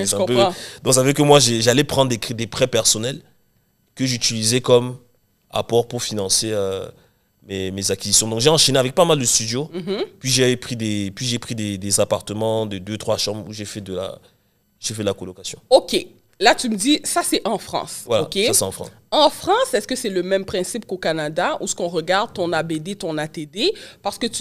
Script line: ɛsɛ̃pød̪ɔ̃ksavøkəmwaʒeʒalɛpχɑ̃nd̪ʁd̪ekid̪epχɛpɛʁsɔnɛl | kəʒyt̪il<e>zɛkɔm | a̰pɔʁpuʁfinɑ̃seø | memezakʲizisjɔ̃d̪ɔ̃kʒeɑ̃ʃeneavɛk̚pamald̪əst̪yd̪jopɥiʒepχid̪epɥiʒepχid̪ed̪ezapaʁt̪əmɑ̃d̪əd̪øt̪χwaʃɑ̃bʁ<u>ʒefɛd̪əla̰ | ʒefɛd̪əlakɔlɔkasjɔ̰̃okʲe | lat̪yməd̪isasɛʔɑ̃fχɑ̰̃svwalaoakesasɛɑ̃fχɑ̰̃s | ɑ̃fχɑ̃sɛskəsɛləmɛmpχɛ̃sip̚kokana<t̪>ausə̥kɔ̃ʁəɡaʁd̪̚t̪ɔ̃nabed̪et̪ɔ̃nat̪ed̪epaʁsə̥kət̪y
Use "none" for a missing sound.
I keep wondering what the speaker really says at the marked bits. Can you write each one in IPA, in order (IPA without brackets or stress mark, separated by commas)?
i, u, d̪